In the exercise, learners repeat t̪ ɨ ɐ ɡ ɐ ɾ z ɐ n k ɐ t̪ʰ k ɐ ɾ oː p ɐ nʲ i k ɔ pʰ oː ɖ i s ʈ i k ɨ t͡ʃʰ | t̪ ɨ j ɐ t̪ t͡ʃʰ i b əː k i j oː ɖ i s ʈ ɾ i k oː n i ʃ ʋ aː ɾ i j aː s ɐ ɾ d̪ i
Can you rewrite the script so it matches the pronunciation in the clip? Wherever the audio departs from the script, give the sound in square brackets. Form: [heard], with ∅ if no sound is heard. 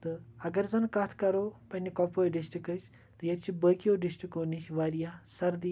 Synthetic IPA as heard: t̪ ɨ ɐ ɡ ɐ ɾ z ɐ n k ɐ t̪ʰ k ɐ ɾ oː p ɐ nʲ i k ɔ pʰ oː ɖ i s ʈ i k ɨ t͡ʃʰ | t̪ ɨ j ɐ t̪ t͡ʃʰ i b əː k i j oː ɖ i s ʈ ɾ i k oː n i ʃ ʋ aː ɾ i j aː s ɐ ɾ d̪ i

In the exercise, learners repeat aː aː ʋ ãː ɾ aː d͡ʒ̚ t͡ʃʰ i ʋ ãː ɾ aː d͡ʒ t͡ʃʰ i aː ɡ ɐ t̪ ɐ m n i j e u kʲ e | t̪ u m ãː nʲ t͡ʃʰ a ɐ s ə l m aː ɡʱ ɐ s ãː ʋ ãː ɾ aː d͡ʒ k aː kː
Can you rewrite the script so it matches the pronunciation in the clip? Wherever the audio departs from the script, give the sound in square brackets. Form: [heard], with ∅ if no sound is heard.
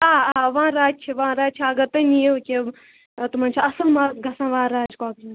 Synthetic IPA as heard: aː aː ʋ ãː ɾ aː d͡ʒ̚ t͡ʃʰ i ʋ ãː ɾ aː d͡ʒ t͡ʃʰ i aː ɡ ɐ t̪ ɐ [∅] n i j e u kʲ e | t̪ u m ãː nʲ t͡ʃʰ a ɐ s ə l m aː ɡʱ ɐ s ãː ʋ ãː ɾ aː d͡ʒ k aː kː

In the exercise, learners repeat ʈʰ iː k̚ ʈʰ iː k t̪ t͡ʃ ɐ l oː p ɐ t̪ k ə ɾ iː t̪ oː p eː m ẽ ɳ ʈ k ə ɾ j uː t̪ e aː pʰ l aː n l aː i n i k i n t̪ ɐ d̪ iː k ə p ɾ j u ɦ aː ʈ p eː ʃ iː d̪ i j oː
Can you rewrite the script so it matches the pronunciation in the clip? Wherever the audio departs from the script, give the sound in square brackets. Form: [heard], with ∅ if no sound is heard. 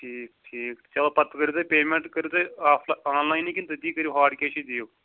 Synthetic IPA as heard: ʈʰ iː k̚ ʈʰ iː k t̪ t͡ʃ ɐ l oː p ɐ t̪ k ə ɾ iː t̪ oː p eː m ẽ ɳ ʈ k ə ɾ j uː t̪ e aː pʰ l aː n l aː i n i k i n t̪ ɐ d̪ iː k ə [∅] ɾ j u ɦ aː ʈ [k] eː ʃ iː d̪ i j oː

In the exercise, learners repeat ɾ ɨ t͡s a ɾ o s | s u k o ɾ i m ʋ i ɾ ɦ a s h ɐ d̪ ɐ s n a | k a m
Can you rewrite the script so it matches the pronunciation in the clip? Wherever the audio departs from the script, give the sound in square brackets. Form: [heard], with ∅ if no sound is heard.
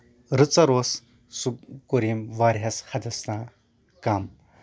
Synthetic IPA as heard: ɾ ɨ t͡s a ɾ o s | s u k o ɾ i m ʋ [a] ɾ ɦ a s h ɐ d̪ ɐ s n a | k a m

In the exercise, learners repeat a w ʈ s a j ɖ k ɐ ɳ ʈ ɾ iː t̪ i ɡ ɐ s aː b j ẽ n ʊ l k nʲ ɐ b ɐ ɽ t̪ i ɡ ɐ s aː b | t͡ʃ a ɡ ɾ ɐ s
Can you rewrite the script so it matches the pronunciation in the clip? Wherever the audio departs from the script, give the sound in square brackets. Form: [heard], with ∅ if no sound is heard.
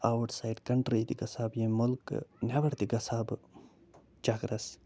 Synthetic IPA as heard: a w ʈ s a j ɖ k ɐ ɳ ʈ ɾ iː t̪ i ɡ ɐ s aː b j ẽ [m] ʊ l k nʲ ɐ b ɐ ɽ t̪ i ɡ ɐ s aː b | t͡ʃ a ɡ ɾ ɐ s

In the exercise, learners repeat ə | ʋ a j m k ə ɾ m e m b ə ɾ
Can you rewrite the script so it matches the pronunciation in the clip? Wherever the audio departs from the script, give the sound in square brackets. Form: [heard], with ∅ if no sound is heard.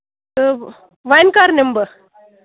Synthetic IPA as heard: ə | ʋ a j [n] k [a] ɾ [n] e m b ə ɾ

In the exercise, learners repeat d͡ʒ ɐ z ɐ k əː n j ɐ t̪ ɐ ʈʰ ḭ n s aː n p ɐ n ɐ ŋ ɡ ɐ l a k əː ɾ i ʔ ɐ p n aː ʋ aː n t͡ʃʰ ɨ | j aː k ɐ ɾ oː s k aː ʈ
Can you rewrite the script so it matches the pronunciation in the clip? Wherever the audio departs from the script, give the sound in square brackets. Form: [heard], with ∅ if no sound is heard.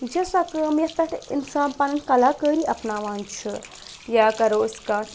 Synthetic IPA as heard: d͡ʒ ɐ [s] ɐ k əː [m] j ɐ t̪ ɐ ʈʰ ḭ n s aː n p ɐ n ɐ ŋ [k] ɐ l a k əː ɾ i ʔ ɐ p n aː ʋ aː n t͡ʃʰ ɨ | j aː k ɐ ɾ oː s k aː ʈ

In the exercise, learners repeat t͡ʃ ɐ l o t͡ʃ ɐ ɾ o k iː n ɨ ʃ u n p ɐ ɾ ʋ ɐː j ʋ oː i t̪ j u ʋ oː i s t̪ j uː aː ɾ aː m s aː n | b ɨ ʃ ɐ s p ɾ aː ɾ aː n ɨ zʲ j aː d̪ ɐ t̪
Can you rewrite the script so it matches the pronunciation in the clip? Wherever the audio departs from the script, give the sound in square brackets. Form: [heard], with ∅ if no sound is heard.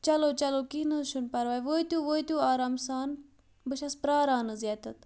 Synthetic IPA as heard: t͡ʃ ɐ l o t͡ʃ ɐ [l] o k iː n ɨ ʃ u n p ɐ ɾ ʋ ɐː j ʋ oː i t̪ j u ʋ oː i [∅] t̪ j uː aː ɾ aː m s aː n | b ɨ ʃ ɐ s p ɾ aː ɾ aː n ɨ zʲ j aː [t̪] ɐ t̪

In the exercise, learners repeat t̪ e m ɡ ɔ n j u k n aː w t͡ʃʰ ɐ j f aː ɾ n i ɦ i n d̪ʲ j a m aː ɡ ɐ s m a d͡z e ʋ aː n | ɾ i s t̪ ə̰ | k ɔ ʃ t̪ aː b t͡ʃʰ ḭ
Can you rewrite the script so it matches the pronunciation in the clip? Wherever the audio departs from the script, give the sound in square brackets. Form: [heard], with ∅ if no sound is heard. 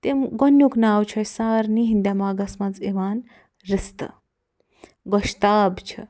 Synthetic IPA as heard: t̪ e m ɡ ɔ n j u k n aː w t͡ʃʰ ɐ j [s] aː ɾ n i ɦ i n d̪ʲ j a m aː ɡ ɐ s m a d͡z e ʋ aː n | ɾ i s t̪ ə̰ | [ɡ] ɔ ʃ t̪ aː b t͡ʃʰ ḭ

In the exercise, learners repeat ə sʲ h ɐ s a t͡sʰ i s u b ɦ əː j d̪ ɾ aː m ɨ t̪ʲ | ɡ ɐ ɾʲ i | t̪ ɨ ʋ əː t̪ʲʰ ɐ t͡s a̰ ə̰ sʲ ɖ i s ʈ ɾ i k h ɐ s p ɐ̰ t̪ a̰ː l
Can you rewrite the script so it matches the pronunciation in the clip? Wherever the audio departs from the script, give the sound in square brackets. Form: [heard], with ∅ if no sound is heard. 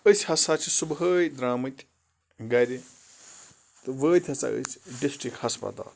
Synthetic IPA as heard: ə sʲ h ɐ s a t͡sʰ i s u b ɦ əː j d̪ ɾ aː m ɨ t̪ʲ | ɡ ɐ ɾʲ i | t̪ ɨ ʋ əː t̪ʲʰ ɐ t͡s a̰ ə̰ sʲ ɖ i s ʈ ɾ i k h ɐ s p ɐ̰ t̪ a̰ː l

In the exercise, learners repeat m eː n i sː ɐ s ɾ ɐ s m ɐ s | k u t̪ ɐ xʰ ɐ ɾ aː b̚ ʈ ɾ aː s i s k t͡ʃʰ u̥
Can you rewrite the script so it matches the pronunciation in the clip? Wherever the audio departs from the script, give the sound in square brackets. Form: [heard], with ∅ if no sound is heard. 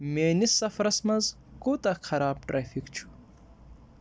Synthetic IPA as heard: m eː n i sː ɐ [f] ɾ ɐ s m ɐ [z] | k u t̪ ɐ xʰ ɐ ɾ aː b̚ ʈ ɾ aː [f] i [∅] k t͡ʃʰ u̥

